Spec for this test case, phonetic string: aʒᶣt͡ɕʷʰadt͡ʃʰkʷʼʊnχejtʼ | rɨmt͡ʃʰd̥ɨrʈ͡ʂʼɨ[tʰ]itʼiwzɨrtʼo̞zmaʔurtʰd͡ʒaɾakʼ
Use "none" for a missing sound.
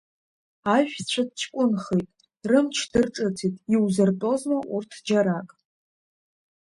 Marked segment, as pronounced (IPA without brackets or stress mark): tʰ